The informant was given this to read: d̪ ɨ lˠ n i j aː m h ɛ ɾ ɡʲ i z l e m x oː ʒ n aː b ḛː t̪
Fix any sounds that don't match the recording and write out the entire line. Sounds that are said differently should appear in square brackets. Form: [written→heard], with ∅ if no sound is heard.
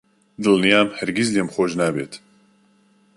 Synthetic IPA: d̪ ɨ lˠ n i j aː m h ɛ ɾ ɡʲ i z l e m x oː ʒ n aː b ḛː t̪